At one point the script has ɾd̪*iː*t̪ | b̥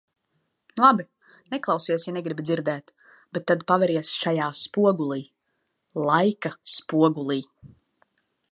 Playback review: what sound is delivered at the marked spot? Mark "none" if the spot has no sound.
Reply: ɛː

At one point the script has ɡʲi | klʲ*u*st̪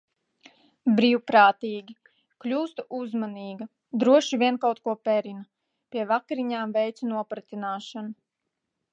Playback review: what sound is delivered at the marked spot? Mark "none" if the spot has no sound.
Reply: uː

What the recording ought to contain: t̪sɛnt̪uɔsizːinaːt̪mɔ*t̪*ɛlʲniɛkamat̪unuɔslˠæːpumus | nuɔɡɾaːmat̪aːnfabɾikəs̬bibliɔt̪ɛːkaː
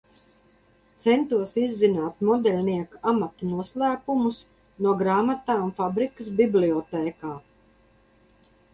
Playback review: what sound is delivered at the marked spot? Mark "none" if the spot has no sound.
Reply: d̪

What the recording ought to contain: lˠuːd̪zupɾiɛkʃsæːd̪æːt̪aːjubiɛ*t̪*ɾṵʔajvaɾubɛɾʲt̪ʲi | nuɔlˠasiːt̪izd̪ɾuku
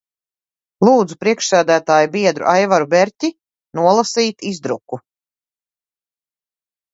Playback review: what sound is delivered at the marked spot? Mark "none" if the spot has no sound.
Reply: d̪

